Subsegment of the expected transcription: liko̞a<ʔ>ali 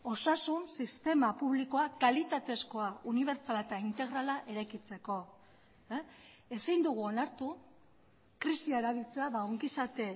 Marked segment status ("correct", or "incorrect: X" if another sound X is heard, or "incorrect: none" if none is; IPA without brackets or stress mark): incorrect: k